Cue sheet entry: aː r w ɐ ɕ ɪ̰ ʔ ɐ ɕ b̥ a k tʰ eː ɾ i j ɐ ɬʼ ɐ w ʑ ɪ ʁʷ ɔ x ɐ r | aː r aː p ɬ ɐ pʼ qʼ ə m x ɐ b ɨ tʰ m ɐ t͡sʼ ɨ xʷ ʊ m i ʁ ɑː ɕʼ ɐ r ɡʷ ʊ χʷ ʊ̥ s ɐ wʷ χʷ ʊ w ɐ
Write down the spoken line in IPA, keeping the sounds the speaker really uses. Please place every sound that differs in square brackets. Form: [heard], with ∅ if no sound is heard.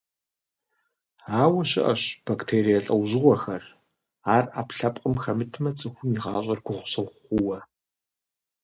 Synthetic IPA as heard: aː [∅] w ɐ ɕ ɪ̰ ʔ ɐ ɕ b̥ a k tʰ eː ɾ i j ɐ ɬʼ ɐ w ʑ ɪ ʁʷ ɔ x ɐ r | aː r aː p ɬ ɐ pʼ qʼ ə m x ɐ [m] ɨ tʰ m ɐ t͡sʼ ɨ xʷ ʊ m i ʁ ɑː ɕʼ ɐ r ɡʷ ʊ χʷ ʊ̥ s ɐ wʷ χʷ ʊ w ɐ